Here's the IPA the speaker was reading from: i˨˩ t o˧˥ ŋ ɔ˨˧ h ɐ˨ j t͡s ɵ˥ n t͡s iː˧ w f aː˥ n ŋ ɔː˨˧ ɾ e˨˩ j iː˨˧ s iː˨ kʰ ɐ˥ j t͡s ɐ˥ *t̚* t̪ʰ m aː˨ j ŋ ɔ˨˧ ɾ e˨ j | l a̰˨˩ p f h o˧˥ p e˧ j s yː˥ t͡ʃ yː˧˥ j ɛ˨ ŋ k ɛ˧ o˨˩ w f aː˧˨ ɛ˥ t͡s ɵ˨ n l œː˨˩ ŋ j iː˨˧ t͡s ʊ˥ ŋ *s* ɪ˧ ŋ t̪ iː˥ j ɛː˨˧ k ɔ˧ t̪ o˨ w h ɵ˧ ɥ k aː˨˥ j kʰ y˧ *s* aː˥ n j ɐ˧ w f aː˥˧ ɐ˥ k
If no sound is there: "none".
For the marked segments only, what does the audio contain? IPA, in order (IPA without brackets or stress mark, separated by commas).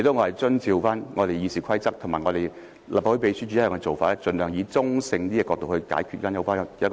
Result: k̚, s, f